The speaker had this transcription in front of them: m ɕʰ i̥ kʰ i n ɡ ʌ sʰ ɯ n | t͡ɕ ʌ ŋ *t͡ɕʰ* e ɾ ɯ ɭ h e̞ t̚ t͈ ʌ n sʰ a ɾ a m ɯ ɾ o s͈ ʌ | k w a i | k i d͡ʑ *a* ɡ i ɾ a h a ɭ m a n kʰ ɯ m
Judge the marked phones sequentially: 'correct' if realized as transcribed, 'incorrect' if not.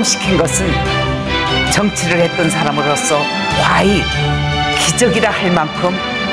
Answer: correct, incorrect

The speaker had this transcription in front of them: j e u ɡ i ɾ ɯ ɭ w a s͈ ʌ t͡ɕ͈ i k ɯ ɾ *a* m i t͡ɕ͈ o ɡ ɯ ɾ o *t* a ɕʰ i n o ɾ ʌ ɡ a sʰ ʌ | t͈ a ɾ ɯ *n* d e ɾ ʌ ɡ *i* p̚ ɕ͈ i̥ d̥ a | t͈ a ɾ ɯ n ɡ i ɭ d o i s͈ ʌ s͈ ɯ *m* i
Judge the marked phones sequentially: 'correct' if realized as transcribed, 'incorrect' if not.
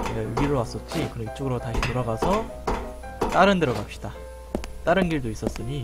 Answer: incorrect, correct, correct, incorrect, incorrect

